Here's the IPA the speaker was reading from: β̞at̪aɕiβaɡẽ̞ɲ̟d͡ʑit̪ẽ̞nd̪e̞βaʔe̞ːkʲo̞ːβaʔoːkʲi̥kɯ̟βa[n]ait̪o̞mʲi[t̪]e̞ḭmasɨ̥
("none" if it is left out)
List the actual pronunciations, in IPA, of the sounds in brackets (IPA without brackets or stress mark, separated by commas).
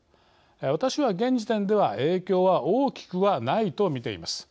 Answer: n, t̪